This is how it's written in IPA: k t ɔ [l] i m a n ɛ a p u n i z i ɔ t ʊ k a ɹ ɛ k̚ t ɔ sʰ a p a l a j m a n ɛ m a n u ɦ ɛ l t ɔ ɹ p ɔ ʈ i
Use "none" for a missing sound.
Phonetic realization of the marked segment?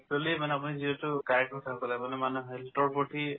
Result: l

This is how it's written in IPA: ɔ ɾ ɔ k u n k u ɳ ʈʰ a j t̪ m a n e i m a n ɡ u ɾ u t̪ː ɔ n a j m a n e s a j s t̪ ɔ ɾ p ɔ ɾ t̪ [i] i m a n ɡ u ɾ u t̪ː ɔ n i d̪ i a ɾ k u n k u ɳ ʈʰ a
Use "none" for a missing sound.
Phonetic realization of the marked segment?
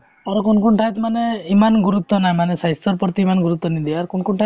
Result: i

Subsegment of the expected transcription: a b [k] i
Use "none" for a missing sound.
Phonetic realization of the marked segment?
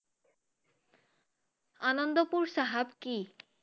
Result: k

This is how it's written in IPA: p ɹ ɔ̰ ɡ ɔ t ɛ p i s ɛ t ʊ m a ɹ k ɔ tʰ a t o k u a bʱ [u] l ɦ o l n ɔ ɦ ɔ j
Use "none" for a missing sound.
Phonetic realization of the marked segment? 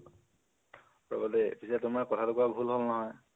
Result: u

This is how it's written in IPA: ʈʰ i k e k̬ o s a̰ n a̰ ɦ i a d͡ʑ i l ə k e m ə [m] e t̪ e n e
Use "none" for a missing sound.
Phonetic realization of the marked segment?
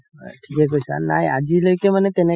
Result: n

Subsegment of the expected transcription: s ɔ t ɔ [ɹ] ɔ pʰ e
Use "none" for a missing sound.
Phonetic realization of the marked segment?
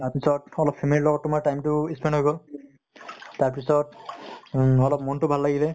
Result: l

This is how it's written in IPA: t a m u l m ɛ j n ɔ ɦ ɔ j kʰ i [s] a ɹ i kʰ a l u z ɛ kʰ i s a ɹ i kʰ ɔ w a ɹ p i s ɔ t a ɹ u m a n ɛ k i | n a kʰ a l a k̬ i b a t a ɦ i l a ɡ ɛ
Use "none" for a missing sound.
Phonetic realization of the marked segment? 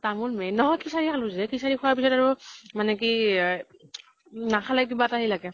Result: s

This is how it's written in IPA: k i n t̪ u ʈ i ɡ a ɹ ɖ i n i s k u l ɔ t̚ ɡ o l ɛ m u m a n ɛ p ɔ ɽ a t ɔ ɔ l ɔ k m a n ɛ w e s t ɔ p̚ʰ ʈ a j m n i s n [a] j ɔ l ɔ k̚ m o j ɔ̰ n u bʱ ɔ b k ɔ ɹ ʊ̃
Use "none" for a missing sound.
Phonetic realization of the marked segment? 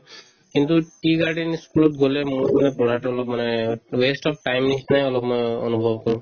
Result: a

